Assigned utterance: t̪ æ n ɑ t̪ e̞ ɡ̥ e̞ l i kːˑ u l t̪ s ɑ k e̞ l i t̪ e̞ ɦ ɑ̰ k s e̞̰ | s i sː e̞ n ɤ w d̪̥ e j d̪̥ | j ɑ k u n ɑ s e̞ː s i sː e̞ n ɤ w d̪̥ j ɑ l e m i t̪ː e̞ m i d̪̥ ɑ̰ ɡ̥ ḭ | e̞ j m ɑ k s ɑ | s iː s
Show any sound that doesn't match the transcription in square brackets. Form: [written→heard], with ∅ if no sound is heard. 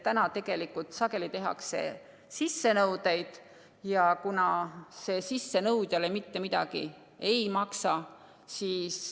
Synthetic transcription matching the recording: t̪ æ n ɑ t̪ e̞ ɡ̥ e̞ l i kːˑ u l t̪ s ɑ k e̞ l i t̪ e̞ ɦ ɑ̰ k s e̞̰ | s i sː e̞ n ɤ w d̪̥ e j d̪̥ | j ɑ k u n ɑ s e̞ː s i sː e̞ n ɤ w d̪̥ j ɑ l e m i t̪ː e̞ m i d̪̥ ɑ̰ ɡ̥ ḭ | e̞ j m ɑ k s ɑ | s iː s